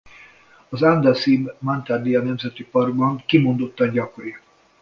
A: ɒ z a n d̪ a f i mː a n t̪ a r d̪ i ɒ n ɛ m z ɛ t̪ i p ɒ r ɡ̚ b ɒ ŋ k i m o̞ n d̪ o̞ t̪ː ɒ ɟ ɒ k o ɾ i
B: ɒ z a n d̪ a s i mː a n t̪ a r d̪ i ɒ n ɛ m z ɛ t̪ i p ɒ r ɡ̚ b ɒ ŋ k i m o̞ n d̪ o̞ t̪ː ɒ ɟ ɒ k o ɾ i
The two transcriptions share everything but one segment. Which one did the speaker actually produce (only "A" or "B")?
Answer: B